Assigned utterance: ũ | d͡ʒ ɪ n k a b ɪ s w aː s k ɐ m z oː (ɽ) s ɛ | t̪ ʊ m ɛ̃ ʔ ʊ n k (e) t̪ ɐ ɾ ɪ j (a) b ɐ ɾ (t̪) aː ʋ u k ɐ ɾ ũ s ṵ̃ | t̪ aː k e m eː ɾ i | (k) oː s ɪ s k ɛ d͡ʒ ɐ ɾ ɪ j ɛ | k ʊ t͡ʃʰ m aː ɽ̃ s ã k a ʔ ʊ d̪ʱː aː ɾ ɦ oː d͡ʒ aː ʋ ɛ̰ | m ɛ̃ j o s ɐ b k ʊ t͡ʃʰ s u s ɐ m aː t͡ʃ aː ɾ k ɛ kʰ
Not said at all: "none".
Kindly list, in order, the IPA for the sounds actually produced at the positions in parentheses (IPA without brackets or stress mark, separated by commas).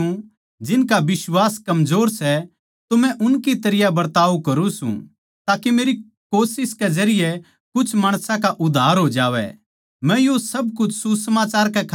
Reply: ɾ, i, a, t̪, k